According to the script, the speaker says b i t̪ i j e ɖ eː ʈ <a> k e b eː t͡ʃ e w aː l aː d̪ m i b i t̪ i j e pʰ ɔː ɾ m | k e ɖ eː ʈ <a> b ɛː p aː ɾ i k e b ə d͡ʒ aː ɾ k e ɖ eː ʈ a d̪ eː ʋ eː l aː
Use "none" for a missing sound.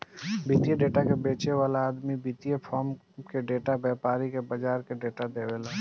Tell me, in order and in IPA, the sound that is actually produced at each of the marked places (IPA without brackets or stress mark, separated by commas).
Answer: a, a